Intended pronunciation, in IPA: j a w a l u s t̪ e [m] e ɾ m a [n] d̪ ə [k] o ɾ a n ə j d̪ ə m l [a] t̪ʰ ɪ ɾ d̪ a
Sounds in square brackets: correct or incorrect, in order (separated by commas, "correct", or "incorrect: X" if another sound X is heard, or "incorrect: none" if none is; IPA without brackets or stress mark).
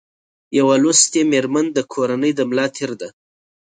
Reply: correct, correct, incorrect: kʰ, incorrect: ɑ